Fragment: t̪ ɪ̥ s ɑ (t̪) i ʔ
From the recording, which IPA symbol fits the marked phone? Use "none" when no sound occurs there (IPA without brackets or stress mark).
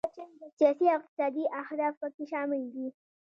d̪